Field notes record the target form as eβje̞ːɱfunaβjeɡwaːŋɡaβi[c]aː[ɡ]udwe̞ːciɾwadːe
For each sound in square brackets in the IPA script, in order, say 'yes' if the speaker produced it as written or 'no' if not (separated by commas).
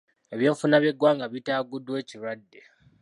no, yes